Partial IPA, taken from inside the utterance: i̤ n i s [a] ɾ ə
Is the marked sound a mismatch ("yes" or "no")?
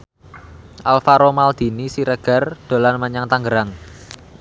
yes